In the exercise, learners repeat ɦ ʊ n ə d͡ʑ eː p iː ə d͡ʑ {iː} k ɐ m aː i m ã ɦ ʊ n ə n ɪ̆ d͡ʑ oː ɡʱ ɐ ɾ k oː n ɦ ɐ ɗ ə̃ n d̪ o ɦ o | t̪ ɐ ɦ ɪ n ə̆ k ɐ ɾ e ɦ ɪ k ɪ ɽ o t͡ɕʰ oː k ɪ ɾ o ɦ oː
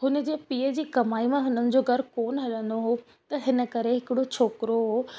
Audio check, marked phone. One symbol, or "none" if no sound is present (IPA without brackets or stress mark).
iː